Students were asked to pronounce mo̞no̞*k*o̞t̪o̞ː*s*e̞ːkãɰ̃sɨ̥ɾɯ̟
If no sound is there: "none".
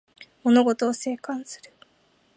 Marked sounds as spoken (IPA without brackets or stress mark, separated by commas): ɡ, s